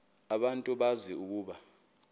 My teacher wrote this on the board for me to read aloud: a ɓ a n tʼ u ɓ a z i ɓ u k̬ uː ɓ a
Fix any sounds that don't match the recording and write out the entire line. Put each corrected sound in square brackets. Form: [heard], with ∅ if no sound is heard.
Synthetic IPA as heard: a ɓ a n tʼ u ɓ a z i [∅] u k̬ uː ɓ a